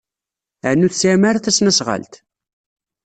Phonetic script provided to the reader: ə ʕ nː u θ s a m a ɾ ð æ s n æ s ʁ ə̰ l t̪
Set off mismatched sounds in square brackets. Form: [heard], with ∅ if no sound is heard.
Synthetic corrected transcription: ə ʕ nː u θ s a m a ɾ [θ] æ s n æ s ʁ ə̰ l t̪